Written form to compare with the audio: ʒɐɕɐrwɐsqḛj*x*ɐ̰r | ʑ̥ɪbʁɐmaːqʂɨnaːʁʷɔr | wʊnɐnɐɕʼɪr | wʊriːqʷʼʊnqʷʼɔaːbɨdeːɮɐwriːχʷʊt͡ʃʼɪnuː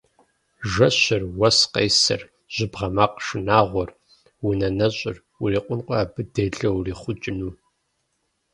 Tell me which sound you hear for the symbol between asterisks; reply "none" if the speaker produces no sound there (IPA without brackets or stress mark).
s